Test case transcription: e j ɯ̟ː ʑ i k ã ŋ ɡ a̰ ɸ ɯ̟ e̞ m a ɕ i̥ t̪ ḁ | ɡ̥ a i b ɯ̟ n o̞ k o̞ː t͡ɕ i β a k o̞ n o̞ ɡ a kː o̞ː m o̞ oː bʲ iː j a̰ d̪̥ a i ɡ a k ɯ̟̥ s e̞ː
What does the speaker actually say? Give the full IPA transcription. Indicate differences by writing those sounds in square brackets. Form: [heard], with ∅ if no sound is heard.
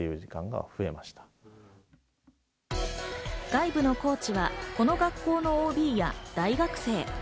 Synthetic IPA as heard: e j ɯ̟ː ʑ i k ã ŋ ɡ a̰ ɸ ɯ̟ e̞ m a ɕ i̥ t̪ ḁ | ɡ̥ a i b ɯ̟ n o̞ k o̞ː t͡ɕ i β a k o̞ n o̞ ɡ a kː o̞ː [n] o̞ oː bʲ iː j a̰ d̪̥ a i ɡ a k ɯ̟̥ s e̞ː